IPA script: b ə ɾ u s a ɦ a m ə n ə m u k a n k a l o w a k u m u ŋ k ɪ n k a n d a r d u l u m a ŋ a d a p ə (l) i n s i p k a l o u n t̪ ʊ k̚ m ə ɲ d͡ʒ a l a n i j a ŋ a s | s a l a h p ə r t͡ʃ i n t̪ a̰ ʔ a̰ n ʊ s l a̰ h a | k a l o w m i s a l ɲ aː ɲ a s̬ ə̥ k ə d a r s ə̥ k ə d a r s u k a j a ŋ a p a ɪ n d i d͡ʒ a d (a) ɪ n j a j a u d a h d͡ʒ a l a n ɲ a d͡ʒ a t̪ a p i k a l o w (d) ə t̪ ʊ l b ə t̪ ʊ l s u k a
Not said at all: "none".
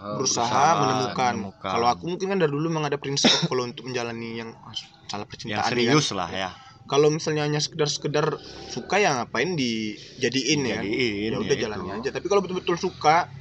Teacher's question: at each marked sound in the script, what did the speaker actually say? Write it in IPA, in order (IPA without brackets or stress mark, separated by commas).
ɾ, i, b